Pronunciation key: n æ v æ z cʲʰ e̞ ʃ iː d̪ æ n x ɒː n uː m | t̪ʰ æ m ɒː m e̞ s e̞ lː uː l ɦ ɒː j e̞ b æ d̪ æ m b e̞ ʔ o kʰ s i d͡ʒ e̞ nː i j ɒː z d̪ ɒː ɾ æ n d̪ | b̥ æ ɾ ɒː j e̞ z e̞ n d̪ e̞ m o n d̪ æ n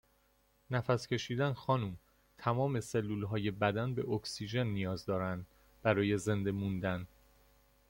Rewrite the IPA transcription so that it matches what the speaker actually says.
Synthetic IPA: n æ f æ s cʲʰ e̞ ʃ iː d̪ æ n x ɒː n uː m | t̪ʰ æ m ɒː m e̞ s e̞ lː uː l ɦ ɒː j e̞ b æ d̪ æ n b e̞ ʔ o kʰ s i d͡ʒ e̞ nː i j ɒː z d̪ ɒː ɾ æ n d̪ | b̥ æ ɾ ɒː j e̞ z e̞ n d̪ e̞ m u n d̪ æ n